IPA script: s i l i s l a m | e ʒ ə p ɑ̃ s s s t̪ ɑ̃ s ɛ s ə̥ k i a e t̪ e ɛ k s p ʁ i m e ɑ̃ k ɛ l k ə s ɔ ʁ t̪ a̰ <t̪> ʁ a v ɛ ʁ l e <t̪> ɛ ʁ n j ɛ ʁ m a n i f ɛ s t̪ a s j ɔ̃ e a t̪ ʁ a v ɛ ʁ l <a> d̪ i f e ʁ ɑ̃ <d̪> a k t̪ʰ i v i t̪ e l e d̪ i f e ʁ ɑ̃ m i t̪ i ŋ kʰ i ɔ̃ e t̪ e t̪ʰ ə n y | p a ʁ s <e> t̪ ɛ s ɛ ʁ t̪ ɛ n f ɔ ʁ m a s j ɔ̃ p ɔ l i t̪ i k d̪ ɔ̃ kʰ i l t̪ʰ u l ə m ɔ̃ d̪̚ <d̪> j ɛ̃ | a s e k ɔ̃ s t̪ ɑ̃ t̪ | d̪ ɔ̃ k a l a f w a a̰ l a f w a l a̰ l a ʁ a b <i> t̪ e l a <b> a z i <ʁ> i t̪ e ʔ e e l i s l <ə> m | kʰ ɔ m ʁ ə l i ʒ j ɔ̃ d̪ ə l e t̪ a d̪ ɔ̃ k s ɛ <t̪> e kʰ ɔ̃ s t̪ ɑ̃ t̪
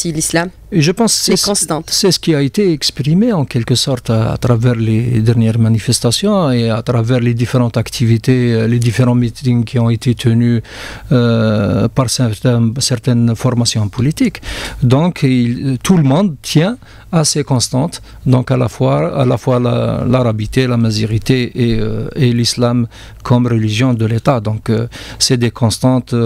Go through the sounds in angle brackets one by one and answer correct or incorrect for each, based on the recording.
correct, incorrect: d̪, incorrect: e, incorrect: t̪, incorrect: ɛ, incorrect: t̪, correct, incorrect: m, correct, incorrect: a, incorrect: d̪

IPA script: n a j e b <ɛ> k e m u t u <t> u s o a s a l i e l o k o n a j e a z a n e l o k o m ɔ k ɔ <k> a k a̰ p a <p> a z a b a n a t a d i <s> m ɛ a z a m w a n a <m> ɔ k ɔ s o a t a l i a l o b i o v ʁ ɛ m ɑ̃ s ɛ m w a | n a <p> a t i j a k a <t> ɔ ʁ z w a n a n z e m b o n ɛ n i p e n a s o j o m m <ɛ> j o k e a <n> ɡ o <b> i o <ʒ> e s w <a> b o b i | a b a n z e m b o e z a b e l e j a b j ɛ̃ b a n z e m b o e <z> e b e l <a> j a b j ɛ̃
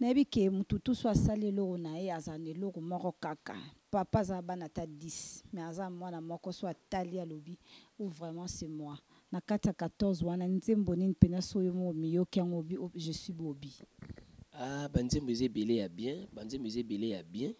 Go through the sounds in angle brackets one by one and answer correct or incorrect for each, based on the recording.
incorrect: i, correct, correct, correct, correct, correct, incorrect: k, correct, incorrect: i, incorrect: ŋ, correct, correct, incorrect: i, correct, incorrect: e

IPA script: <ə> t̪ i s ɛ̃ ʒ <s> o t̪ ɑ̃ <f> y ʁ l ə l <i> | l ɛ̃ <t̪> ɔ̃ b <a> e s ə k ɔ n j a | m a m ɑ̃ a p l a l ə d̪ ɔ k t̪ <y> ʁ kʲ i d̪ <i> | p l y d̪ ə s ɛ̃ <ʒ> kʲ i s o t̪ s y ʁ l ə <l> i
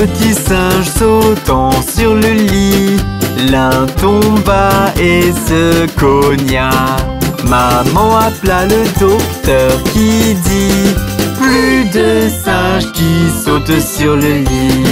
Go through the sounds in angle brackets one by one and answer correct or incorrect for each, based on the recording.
correct, correct, incorrect: s, correct, correct, correct, incorrect: œ, correct, correct, correct

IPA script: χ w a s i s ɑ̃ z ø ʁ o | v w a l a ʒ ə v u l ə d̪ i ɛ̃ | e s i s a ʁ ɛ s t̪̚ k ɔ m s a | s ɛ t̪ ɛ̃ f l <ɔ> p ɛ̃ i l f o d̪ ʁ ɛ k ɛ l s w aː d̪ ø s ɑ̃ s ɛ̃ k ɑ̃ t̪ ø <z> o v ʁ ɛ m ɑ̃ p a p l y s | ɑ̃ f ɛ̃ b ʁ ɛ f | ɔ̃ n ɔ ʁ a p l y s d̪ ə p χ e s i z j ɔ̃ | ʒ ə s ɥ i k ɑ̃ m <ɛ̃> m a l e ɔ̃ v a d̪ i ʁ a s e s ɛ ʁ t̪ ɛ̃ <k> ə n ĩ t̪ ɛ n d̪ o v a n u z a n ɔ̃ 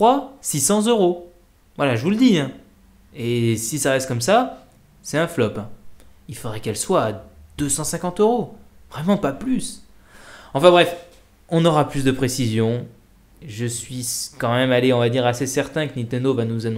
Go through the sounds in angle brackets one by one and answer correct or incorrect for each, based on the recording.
correct, incorrect: ʁ, incorrect: ɛ, correct

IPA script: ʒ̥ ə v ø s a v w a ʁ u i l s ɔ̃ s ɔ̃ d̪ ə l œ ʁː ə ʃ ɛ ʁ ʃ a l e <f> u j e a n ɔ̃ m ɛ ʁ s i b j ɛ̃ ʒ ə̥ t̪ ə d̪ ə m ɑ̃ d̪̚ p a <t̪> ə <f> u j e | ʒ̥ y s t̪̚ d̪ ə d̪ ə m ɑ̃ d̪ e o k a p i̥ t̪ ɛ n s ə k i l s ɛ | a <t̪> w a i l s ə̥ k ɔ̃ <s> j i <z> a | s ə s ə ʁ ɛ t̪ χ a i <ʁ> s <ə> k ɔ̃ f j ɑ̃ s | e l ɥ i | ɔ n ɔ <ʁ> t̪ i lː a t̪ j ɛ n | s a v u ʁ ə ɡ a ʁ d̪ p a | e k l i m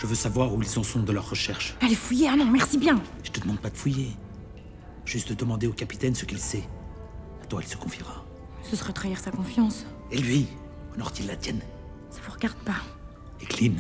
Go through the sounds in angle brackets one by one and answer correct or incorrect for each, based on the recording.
correct, incorrect: d̪, correct, correct, incorrect: f, incorrect: ʁ, correct, incorrect: a, correct

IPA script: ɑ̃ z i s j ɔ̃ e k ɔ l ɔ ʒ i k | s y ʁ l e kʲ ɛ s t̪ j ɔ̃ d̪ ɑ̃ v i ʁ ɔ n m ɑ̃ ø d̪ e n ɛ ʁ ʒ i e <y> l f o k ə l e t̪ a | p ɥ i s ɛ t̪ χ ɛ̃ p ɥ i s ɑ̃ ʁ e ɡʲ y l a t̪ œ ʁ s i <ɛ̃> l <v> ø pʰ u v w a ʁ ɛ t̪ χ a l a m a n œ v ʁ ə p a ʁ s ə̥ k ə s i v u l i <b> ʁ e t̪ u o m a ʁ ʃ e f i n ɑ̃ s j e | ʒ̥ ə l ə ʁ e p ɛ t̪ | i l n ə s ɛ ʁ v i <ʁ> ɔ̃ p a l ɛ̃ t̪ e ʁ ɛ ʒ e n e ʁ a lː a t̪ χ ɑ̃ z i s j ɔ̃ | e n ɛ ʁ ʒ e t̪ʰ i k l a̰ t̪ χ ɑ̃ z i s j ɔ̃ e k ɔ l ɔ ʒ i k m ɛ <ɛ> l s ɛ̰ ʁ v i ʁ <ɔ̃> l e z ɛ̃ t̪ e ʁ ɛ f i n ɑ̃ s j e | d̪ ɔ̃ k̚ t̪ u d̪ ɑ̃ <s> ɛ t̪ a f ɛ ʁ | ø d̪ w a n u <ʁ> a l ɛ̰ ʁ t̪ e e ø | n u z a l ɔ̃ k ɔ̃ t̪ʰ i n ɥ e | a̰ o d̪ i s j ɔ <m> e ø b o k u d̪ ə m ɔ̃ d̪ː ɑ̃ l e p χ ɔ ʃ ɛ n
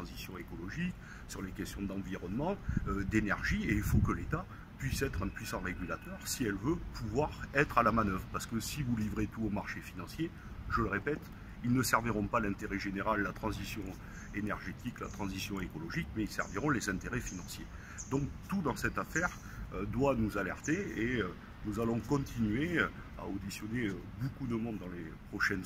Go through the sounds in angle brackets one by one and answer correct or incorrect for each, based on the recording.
incorrect: i, incorrect: ɛ, correct, incorrect: v, correct, incorrect: i, correct, correct, incorrect: z, incorrect: n

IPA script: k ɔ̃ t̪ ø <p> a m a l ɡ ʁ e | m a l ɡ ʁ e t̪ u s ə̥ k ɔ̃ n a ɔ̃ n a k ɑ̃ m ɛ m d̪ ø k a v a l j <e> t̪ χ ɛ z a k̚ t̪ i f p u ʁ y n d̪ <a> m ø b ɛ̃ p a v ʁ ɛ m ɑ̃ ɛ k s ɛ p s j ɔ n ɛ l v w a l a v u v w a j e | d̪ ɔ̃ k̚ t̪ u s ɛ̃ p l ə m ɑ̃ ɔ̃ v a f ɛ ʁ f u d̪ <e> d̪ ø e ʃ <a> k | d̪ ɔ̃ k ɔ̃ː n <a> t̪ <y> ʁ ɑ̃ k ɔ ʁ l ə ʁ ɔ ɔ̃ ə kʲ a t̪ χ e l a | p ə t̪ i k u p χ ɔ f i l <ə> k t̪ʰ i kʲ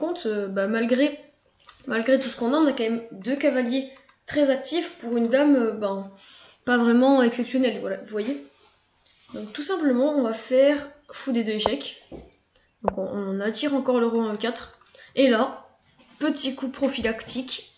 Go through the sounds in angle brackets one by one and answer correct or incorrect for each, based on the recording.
incorrect: b, correct, correct, correct, incorrect: ɛ, correct, incorrect: i, incorrect: a

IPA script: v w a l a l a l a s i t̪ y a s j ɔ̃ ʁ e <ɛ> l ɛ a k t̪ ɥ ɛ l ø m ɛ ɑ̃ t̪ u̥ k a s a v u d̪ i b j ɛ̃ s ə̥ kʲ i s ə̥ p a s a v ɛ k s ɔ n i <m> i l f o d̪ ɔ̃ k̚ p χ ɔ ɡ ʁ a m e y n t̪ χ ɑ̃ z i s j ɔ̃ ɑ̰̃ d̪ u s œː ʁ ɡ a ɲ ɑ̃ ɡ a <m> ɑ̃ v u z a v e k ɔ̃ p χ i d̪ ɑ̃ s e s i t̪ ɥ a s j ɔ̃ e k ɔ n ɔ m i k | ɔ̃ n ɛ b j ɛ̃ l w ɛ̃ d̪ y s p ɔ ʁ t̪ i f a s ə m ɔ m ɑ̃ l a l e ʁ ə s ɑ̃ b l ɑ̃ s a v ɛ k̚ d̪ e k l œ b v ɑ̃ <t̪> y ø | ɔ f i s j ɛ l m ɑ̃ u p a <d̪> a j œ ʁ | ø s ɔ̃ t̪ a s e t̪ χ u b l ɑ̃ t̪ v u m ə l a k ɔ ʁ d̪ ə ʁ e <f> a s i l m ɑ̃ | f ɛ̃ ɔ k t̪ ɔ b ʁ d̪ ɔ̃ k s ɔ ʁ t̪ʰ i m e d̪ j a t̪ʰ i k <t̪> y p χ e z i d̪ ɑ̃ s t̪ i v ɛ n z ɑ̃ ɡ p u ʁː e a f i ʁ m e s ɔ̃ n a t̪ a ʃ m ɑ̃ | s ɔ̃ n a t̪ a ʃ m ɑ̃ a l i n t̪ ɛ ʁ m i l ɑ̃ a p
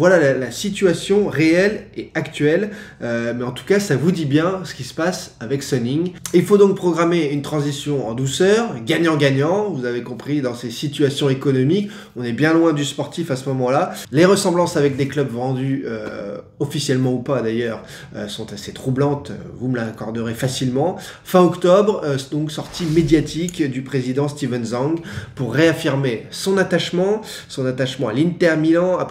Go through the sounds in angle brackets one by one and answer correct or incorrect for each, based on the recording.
correct, incorrect: ŋ, incorrect: ɲ, incorrect: d̪, correct, correct, incorrect: d̪

